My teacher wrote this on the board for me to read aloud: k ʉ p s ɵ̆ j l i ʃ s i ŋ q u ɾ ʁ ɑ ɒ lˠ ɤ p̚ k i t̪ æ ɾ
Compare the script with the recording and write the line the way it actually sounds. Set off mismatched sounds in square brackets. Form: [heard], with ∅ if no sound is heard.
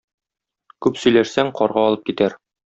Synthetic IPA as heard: k ʉ p s ɵ̆ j l [æ] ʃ s [æ] ŋ q [ɒ] ɾ ʁ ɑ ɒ lˠ ɤ p̚ k i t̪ æ ɾ